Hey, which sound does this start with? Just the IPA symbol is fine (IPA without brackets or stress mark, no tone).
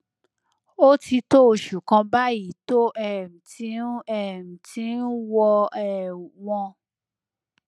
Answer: o